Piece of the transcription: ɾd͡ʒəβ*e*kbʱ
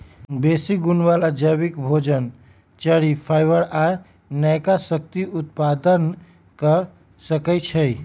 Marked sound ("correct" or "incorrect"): incorrect